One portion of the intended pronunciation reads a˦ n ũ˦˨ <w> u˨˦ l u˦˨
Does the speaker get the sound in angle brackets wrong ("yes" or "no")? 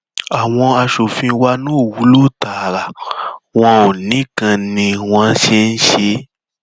no